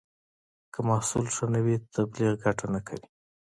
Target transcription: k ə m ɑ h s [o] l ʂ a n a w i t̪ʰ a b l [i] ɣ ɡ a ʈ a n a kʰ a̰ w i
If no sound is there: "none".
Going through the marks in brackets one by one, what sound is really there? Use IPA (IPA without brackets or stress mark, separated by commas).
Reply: u, i